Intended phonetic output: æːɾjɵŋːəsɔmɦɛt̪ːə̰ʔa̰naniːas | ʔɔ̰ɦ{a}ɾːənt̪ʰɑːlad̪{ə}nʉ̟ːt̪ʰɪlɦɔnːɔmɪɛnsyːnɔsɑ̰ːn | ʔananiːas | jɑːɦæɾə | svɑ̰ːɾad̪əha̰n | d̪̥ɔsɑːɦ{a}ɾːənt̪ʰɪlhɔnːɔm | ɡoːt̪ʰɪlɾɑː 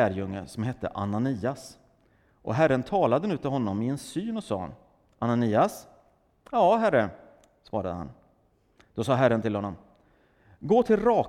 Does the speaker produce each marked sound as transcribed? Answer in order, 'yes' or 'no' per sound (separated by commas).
no, yes, no